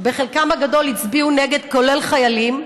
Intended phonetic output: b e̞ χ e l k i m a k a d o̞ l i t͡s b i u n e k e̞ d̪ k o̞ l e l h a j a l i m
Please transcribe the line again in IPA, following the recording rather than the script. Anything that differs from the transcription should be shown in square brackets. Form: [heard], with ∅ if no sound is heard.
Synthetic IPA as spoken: b e̞ χ e l k [a] m a [ɡ] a d o̞ l i t͡s b i u n e [ɡ] e̞ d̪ k o̞ l e l [χ] a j a l i m